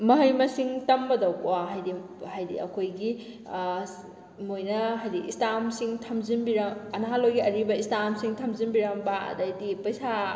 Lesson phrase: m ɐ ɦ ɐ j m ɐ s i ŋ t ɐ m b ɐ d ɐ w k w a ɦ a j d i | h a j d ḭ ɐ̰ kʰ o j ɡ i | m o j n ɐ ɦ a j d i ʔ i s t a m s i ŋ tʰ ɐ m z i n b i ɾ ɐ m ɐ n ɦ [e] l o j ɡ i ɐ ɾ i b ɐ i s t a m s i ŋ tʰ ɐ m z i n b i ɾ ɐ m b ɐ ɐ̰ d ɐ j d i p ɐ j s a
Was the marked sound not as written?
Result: yes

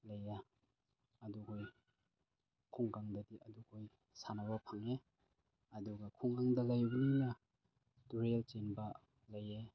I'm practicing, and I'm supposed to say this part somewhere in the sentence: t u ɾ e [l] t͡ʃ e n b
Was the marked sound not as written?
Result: no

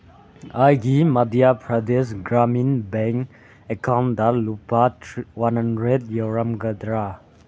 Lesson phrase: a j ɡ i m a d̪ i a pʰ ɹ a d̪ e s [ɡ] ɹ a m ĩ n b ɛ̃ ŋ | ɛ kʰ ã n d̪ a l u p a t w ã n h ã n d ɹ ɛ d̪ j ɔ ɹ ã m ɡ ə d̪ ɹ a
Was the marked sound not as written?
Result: no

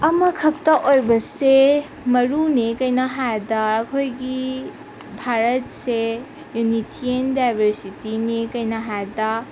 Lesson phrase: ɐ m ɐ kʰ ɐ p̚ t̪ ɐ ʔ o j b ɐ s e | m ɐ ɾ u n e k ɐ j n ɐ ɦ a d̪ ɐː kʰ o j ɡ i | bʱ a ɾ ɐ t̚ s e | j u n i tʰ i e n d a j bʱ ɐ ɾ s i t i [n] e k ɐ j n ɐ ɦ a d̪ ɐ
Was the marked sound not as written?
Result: no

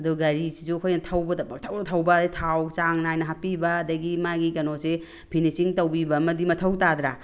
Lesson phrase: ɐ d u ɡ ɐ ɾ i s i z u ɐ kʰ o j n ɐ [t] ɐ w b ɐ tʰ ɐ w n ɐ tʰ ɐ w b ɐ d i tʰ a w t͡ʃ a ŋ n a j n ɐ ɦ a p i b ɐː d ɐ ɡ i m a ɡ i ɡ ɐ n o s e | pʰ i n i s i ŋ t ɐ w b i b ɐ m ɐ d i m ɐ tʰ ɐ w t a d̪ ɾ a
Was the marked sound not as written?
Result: yes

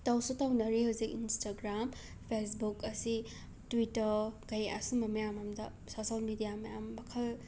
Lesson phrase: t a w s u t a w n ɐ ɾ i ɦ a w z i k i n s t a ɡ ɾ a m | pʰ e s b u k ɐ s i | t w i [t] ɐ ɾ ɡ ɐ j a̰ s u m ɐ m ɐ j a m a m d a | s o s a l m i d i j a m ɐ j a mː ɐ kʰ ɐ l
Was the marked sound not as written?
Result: no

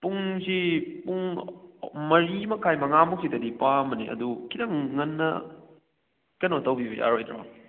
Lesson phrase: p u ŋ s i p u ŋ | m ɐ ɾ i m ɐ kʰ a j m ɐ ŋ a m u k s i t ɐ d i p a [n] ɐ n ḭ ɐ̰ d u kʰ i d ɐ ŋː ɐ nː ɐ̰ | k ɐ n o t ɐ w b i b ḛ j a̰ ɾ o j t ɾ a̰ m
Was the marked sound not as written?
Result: yes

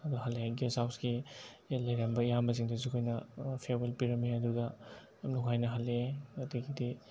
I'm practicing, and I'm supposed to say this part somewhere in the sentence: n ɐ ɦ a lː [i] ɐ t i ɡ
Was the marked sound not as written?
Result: yes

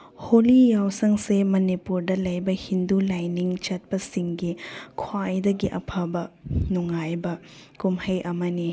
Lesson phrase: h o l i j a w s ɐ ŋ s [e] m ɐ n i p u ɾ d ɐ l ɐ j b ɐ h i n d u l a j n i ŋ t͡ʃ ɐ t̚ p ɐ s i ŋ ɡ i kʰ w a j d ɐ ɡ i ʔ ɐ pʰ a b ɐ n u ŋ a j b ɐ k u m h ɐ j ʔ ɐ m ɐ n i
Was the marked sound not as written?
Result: no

